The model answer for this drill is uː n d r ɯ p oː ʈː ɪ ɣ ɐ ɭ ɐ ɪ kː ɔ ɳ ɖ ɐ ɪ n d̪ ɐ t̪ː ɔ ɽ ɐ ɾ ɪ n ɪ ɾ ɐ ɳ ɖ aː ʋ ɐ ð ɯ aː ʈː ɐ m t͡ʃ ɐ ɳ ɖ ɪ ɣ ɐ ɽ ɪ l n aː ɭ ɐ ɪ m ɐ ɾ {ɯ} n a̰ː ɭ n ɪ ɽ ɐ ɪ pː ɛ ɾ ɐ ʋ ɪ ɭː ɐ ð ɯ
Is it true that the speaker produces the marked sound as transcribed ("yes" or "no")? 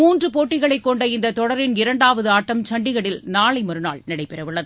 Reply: yes